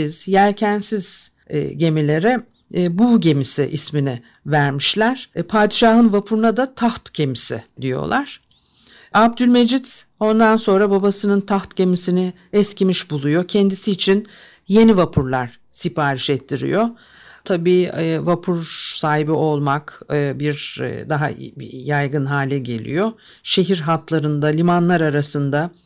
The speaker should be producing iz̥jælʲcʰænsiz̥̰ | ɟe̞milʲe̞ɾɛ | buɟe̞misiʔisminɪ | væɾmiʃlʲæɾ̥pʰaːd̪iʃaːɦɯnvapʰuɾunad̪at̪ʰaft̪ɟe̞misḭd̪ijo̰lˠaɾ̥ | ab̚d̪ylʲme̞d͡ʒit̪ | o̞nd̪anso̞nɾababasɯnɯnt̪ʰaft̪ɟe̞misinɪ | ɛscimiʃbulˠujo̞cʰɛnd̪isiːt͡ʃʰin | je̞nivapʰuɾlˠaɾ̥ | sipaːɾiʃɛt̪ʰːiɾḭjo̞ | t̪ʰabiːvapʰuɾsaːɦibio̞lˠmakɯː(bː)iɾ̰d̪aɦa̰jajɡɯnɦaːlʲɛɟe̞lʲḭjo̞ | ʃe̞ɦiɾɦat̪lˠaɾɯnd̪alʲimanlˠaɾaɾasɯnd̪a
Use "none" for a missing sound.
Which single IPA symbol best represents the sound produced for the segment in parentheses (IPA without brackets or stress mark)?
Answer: b